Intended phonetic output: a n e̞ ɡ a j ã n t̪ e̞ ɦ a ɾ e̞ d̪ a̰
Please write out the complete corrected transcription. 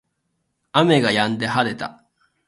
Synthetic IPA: a m e̞ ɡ a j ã n d̪ e̞ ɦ a ɾ e̞ t̪ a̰